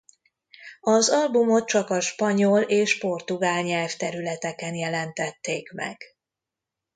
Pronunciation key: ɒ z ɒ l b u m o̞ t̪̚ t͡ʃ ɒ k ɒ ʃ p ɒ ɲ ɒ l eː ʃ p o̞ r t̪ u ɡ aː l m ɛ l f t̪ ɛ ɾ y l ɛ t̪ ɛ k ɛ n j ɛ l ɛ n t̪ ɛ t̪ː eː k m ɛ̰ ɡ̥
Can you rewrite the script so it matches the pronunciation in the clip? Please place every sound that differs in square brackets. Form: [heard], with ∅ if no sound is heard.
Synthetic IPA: ɒ z ɒ l b u m o̞ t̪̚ t͡ʃ ɒ k ɒ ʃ p ɒ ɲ [o] l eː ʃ p o̞ r t̪ u ɡ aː l [ɲ] ɛ l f t̪ ɛ ɾ y l ɛ t̪ ɛ k ɛ n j ɛ l ɛ n t̪ ɛ t̪ː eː k m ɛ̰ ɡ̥